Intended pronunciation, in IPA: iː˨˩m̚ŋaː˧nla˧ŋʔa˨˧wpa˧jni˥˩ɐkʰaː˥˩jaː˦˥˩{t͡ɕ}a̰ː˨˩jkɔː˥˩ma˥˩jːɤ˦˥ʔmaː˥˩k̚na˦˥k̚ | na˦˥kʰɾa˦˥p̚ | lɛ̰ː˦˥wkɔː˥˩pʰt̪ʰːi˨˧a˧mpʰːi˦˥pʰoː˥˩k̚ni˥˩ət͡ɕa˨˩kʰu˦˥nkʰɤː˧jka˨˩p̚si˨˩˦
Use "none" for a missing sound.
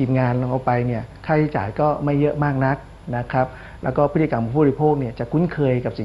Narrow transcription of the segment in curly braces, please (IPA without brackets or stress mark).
t͡ɕ